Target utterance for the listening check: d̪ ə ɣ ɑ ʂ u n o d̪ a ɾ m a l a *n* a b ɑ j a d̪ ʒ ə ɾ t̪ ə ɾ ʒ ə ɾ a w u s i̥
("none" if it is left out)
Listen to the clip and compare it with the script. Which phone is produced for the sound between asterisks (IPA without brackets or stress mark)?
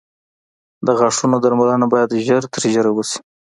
n